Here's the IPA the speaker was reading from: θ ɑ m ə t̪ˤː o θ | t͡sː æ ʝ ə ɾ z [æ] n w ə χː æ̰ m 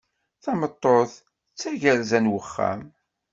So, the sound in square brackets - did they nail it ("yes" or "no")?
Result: yes